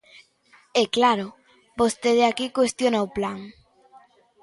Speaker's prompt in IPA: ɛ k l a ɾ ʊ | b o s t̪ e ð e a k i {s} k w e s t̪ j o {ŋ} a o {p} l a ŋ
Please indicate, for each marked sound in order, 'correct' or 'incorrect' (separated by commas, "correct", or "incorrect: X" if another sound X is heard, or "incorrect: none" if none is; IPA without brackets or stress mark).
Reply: incorrect: none, incorrect: n, correct